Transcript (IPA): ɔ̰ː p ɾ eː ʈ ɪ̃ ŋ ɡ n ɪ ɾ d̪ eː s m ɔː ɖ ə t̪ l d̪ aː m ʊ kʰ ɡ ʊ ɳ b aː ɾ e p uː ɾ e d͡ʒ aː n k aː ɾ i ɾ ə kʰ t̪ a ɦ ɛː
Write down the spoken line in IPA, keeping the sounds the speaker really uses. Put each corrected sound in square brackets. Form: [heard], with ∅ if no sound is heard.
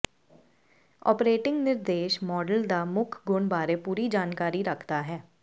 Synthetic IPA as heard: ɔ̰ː p ɾ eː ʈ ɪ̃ ŋ ɡ n ɪ ɾ d̪ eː [ʃ] m ɔː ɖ ə [∅] l d̪ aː m ʊ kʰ ɡ ʊ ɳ b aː ɾ e p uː ɾ [i] d͡ʒ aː n k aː ɾ i ɾ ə kʰ t̪ a ɦ ɛː